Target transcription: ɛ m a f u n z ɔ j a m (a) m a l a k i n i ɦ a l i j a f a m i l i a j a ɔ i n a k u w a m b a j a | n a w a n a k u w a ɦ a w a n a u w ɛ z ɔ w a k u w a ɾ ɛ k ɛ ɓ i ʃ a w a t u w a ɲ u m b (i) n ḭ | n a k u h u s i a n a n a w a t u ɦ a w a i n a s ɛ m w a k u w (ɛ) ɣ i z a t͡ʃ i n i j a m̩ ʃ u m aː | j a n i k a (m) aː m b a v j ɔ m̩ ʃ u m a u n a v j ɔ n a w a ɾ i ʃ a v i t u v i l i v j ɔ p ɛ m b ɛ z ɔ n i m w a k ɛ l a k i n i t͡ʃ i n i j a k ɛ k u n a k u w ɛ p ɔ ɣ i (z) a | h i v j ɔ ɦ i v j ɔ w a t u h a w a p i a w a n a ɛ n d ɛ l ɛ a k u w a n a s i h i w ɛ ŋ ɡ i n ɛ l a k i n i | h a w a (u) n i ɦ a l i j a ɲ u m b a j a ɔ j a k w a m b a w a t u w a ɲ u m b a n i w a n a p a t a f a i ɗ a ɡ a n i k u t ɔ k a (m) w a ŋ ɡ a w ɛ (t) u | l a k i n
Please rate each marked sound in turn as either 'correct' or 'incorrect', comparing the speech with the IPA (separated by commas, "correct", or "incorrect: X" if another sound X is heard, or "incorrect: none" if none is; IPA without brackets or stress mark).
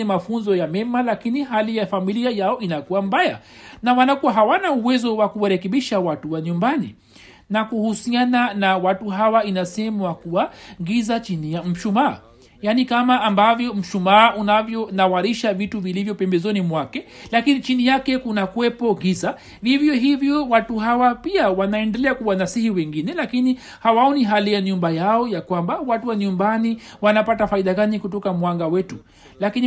incorrect: ɛ, incorrect: a, incorrect: a, correct, correct, incorrect: ɔ, correct, correct